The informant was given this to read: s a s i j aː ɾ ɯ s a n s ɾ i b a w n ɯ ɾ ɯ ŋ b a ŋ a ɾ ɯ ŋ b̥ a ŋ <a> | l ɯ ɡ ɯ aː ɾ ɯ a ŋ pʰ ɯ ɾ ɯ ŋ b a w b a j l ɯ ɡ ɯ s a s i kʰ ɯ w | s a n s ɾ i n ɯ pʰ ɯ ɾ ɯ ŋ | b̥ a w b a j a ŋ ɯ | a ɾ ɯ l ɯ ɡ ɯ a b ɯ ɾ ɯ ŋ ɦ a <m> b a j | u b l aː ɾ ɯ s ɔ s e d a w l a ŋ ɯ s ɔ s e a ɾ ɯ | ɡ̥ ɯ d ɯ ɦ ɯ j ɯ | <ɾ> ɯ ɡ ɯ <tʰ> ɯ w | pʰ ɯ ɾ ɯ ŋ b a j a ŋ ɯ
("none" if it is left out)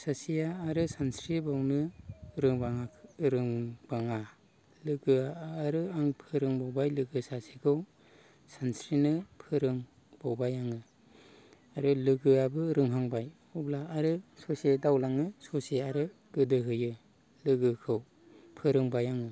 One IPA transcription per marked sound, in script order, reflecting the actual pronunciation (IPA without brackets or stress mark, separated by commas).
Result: a, ŋ, l, kʰ